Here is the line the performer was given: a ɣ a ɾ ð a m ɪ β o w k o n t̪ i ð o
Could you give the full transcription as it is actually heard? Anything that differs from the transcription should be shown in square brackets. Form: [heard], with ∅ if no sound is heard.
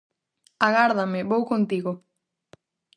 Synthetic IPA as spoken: a ɣ a ɾ ð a m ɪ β o w k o n t̪ i [ɣ] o